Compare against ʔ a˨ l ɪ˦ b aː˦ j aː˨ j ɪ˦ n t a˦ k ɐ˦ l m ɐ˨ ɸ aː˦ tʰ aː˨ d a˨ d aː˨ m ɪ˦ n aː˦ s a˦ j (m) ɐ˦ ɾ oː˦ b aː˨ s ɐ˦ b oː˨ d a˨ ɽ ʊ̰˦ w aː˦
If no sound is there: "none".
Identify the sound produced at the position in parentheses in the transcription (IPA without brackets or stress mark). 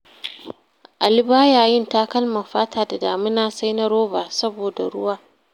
n